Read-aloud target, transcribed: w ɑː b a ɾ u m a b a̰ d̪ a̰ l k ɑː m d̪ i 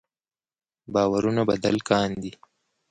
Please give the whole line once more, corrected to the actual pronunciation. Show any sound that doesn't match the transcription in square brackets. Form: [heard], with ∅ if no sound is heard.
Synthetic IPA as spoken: [b] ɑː [w] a ɾ u [n] a b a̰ d̪ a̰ l k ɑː [n] d̪ i